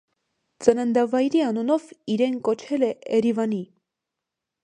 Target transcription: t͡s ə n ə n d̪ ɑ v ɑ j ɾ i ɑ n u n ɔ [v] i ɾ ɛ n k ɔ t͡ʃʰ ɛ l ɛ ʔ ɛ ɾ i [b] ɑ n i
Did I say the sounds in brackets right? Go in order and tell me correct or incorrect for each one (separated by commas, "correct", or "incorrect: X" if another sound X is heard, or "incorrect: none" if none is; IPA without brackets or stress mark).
correct, incorrect: v